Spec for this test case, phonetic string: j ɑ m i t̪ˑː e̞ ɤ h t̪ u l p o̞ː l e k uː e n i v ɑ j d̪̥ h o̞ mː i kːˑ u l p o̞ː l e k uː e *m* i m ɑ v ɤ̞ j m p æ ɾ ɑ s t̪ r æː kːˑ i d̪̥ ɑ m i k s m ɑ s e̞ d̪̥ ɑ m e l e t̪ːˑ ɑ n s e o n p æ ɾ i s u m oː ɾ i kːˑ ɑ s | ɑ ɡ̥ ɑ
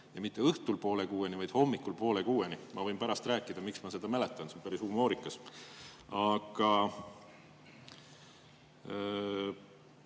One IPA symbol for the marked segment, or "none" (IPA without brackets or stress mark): n